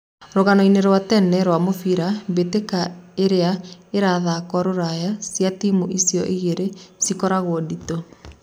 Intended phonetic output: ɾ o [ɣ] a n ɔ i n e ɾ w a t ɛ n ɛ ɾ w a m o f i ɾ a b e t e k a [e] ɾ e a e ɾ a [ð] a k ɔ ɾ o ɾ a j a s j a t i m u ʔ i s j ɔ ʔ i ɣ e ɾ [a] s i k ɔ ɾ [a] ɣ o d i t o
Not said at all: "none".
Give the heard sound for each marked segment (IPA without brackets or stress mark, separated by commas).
ɣ, e, ð, e, a